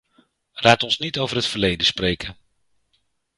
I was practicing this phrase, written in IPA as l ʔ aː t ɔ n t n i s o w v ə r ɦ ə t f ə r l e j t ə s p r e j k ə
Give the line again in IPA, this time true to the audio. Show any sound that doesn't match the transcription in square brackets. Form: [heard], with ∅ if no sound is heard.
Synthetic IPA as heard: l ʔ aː t ɔ n [s] n i [t] o w v ə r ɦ ə t f ə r l e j [d] ə s p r e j k ə